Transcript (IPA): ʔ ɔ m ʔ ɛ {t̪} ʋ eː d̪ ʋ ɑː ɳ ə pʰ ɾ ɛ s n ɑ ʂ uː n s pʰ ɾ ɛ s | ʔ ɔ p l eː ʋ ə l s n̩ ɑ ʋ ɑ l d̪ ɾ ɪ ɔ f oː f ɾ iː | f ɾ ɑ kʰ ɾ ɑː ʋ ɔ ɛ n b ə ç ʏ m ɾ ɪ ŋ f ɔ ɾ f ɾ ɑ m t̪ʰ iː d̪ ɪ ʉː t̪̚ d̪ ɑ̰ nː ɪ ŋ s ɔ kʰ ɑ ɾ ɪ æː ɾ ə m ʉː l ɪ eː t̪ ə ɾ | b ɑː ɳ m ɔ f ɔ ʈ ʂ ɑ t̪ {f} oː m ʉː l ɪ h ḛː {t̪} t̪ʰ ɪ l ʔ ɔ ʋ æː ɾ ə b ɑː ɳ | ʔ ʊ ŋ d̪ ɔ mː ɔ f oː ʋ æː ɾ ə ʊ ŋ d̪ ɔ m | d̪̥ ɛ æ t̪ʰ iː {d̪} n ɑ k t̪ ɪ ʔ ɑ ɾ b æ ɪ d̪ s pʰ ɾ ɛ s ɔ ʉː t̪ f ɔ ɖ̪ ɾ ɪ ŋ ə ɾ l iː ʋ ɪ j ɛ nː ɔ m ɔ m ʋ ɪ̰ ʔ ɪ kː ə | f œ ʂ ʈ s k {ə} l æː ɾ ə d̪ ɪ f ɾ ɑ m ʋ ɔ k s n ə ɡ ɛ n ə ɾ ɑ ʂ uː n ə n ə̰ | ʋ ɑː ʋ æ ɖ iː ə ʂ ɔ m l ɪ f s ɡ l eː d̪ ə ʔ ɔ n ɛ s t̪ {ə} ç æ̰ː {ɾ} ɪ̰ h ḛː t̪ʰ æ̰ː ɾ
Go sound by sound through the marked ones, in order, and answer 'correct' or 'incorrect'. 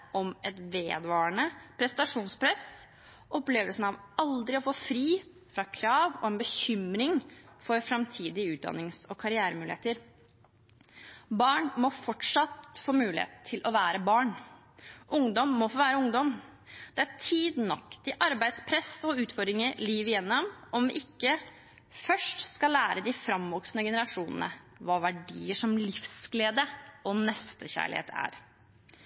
correct, correct, correct, correct, incorrect, correct, incorrect

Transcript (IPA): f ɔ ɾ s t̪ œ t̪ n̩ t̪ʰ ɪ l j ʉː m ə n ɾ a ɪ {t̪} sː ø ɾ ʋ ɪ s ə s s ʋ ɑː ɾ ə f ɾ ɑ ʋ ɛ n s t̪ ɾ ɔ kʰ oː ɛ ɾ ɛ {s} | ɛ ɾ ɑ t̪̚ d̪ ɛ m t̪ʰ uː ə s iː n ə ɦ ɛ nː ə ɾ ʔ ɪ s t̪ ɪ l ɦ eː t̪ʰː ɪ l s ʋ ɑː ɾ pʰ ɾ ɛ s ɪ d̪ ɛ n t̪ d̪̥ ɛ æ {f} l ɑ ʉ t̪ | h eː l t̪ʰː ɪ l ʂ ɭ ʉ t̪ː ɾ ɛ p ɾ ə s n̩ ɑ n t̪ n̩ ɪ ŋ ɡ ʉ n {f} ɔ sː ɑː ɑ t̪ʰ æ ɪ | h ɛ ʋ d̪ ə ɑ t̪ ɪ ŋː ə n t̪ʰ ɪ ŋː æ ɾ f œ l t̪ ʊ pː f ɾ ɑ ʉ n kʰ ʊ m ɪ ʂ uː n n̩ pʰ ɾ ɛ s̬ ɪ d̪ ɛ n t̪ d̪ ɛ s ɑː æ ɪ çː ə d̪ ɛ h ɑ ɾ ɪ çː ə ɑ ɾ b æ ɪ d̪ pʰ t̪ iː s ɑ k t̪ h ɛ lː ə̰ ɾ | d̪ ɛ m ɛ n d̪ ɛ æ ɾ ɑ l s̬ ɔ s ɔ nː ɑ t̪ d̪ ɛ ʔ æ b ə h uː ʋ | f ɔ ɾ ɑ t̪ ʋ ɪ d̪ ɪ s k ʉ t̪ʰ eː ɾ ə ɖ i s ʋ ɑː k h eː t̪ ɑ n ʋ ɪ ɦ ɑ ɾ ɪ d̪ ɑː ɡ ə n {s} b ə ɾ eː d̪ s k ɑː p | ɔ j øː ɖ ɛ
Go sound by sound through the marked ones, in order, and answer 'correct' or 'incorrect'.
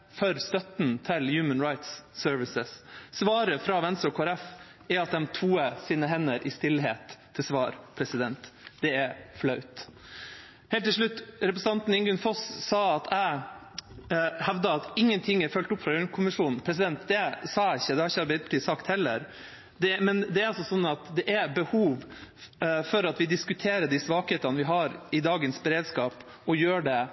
correct, incorrect, correct, correct, correct

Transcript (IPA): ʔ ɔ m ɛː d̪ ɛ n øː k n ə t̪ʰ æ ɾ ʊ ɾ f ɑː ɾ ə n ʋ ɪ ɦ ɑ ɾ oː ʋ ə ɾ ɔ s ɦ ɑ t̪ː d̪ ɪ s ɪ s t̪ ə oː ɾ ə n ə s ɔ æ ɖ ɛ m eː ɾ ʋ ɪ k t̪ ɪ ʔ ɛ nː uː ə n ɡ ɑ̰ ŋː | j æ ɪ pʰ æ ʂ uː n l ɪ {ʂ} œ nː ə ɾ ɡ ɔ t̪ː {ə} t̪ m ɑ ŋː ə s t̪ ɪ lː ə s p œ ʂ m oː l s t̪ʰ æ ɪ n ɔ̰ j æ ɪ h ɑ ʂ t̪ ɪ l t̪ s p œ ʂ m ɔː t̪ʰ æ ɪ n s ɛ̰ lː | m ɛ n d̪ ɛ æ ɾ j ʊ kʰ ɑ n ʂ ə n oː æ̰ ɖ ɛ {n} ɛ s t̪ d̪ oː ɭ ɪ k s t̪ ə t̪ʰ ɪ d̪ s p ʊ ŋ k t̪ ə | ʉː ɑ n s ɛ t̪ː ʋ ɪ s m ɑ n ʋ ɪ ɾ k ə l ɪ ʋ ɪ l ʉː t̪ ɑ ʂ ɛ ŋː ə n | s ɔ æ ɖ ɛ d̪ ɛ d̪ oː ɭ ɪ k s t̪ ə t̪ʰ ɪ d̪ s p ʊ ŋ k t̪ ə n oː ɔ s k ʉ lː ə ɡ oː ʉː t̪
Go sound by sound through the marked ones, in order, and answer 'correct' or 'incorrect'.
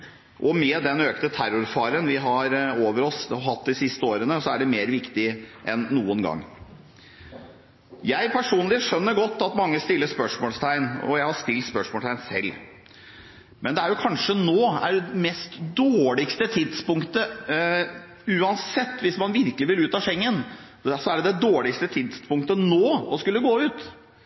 correct, incorrect, incorrect

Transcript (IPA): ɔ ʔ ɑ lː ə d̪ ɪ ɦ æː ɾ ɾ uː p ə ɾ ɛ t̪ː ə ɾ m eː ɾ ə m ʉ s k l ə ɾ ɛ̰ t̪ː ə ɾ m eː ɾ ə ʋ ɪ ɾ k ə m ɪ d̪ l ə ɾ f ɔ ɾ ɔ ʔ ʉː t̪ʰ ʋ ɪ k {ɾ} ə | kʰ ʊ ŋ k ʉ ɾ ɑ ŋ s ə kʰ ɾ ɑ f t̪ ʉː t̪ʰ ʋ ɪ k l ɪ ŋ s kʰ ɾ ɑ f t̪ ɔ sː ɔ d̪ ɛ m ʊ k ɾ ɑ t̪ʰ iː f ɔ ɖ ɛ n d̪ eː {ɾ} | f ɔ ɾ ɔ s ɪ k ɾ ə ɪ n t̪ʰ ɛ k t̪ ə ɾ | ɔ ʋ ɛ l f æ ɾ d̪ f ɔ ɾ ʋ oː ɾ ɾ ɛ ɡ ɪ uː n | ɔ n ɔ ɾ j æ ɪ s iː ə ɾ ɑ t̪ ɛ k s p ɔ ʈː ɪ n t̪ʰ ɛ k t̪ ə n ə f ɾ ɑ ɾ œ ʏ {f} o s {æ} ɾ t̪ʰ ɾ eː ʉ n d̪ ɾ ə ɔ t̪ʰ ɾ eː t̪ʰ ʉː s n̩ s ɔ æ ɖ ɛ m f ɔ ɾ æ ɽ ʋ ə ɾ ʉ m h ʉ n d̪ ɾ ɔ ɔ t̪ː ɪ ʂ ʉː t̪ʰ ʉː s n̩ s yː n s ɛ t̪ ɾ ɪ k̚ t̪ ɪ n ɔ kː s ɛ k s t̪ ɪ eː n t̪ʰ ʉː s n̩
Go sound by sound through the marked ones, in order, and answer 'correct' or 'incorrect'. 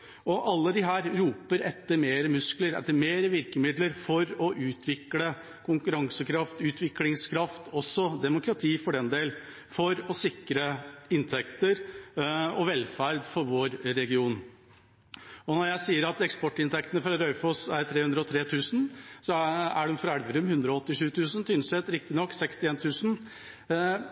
incorrect, incorrect, correct, correct

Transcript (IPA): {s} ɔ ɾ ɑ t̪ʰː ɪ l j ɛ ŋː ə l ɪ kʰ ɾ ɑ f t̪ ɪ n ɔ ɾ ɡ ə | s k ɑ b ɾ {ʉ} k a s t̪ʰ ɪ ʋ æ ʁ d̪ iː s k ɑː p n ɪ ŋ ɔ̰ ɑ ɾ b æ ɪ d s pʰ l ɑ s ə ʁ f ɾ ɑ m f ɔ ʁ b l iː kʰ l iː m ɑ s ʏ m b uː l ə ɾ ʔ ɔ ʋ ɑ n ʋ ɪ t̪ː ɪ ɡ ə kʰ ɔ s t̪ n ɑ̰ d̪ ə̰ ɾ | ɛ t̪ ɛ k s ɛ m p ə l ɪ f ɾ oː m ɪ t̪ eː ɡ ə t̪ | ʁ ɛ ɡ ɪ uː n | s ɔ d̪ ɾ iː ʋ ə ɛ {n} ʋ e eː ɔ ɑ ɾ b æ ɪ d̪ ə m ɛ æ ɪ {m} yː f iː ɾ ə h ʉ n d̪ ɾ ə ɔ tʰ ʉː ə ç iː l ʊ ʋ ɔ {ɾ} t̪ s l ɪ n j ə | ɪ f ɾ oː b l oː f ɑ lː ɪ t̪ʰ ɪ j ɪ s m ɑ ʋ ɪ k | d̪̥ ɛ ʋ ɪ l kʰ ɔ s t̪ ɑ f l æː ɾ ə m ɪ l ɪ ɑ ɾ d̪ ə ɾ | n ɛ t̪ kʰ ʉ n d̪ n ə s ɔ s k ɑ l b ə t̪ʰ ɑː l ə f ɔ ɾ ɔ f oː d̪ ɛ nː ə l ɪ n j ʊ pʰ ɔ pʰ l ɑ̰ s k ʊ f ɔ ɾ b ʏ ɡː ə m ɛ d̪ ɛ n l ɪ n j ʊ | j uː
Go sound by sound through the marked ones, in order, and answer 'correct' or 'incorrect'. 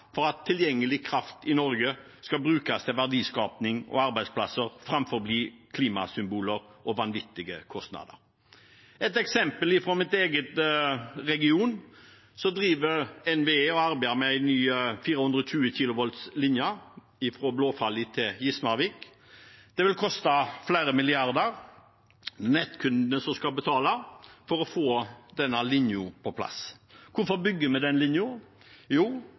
incorrect, incorrect, correct, incorrect, incorrect

